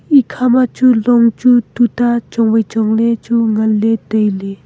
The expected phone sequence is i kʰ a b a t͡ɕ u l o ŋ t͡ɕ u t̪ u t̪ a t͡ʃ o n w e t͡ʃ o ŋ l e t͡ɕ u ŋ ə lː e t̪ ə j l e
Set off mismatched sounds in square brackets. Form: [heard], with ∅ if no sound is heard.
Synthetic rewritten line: i kʰ a [m] a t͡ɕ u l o ŋ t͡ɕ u t̪ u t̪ a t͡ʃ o [ŋ] w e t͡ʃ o ŋ l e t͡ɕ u ŋ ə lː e t̪ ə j l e